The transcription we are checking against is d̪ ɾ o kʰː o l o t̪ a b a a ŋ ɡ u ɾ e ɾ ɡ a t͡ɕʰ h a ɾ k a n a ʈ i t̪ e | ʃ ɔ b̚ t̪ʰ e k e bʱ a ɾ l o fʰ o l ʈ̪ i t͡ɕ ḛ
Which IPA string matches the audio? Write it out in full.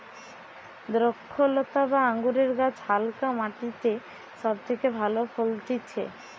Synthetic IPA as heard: d̪ ɾ o kʰː o l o t̪ a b a a ŋ ɡ u ɾ e ɾ ɡ a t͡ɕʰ h a l k a m a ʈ i t̪ e | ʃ ɔ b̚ t̪ʰ e k e bʱ a l o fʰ o l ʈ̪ i t͡ɕʰ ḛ